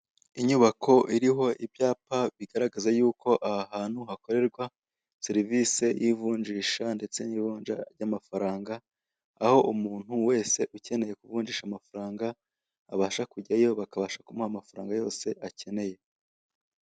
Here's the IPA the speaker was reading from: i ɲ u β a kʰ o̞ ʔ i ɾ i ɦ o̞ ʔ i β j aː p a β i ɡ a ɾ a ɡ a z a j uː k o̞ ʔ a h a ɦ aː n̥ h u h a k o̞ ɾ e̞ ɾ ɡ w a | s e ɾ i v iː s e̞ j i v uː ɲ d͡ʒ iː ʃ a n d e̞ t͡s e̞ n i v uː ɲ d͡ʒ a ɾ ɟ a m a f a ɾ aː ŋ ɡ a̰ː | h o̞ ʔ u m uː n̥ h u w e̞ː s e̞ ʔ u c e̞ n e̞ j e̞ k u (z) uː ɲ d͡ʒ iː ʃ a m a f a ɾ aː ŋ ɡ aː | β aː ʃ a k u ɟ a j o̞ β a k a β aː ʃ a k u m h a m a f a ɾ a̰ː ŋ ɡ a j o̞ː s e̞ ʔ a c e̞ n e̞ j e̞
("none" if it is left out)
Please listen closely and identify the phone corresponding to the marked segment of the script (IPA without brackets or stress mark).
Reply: v